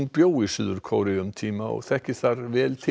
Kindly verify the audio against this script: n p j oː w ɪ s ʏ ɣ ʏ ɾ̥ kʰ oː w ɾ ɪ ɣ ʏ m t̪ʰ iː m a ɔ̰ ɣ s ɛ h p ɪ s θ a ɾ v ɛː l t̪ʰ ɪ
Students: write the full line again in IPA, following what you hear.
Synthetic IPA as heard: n p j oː w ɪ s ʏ ð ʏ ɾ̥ kʰ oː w ɾ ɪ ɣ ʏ m t̪ʰ iː m a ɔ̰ ɣ θ ɛ h c ɪ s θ a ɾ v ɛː l t̪ʰ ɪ

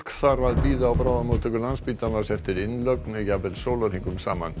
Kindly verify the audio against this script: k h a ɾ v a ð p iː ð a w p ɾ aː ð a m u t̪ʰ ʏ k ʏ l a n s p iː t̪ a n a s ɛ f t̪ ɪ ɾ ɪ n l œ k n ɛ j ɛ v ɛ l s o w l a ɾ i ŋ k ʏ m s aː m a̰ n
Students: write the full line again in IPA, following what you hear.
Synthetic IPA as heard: k θ a ɾ v a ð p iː ð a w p ɾ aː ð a m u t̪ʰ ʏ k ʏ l a n s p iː t̪ a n a s ɛ f t̪ ɪ ɾ ɪ n l œ k n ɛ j a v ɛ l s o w l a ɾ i ŋ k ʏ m s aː m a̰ n

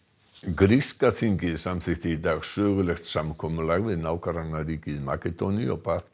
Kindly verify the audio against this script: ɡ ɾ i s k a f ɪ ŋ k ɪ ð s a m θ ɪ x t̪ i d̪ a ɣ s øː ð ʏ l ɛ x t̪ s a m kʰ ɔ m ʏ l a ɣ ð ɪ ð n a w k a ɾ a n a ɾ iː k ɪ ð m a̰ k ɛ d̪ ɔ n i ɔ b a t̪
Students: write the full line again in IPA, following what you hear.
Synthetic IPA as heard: ɡ ɾ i s k a θ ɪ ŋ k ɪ ð s a m θ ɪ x t̪ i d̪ a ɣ s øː ɣ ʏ l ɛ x t̪ s a m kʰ ɔ m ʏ l a ɣ v ɪ ð n a w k a ɾ a n a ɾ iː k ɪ ð m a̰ k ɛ d̪ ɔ n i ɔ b a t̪

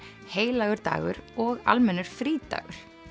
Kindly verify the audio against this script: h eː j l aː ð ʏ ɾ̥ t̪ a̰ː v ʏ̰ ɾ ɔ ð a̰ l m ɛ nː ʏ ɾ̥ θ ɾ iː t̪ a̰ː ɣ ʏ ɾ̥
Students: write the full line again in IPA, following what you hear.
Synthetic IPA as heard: h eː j l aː ɣ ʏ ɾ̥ t̪ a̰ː ɣ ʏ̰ ɾ ɔ ɣ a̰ l m ɛ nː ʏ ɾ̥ f ɾ iː t̪ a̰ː ɣ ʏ ɾ̥

